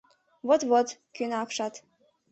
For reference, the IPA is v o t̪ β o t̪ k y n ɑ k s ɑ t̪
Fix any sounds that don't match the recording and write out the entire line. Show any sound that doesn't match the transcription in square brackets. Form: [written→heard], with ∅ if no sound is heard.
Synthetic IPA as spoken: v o t̪ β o t̪ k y n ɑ k [s→ʃ] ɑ t̪